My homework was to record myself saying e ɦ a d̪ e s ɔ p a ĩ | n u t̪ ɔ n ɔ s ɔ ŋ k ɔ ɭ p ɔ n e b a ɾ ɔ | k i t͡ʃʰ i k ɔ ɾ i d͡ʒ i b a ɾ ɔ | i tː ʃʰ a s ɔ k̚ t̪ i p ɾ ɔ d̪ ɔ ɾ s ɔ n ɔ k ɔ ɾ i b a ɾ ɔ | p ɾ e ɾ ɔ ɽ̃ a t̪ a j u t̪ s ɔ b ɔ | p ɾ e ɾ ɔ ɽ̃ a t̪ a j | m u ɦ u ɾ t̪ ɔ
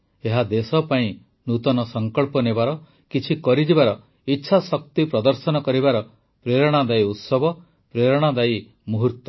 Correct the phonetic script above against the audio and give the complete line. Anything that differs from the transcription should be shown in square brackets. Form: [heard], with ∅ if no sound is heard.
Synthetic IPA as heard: e ɦ a d̪ e s ɔ p a ĩ | n u t̪ ɔ n ɔ s ɔ ŋ k ɔ ɭ p ɔ n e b a ɾ ɔ | k i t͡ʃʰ i k ɔ ɾ i d͡ʒ i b a ɾ ɔ | i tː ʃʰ a s ɔ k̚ t̪ i p ɾ ɔ d̪ ɔ ɾ s ɔ n ɔ k ɔ ɾ i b a ɾ ɔ | p ɾ e ɾ ɔ ɽ̃ a [d̪] a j u t̪ s ɔ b ɔ | p ɾ e ɾ ɔ ɽ̃ a [d̪] a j | m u ɦ u ɾ t̪ ɔ